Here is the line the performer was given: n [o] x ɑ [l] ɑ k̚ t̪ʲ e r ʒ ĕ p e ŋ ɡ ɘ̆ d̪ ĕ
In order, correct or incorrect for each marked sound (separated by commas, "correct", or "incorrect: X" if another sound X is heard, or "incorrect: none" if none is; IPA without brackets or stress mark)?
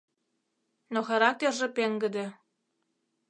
correct, incorrect: ɾ